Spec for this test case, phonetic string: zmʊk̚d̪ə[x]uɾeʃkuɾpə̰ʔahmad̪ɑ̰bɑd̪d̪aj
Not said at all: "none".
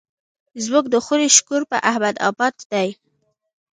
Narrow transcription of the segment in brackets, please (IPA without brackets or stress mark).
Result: x